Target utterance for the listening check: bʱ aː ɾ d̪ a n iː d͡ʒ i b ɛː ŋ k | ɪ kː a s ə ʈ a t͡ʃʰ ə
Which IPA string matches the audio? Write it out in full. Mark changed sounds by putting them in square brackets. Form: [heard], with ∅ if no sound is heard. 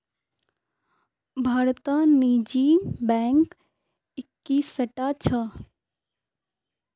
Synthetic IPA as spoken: bʱ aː ɾ [t̪] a n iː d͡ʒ i b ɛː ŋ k | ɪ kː [i] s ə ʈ a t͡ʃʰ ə